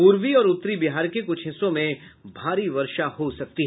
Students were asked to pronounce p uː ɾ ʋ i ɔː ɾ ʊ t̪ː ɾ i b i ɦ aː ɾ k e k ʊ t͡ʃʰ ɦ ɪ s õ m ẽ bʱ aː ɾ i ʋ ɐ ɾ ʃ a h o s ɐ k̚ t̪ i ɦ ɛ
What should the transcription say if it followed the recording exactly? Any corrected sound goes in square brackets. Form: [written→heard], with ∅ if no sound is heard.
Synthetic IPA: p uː ɾ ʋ i ɔː ɾ ʊ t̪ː ɾ i b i ɦ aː ɾ k e k ʊ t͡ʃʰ ɦ ɪ s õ m ẽ bʱ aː ɾ i ʋ ɐ ɾ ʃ a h o s ɐ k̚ t̪ i ɦ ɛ